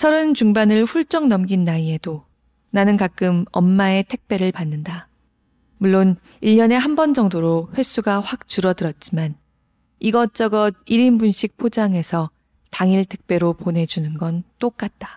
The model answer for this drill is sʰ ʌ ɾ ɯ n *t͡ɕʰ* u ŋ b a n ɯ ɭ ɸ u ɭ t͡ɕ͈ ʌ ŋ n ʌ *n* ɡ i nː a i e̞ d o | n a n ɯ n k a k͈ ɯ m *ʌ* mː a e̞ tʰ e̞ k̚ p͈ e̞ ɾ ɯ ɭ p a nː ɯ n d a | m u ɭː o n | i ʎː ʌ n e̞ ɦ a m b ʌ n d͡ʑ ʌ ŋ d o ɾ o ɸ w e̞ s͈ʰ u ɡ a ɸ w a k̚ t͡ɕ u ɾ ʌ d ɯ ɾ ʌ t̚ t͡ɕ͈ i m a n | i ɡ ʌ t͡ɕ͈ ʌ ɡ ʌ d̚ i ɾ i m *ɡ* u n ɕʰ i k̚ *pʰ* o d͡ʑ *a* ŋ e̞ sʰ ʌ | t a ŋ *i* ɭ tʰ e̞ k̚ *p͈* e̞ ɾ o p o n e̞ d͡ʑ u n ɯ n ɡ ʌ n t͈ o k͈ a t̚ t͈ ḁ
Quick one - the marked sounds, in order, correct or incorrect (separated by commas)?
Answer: incorrect, incorrect, correct, incorrect, correct, correct, correct, correct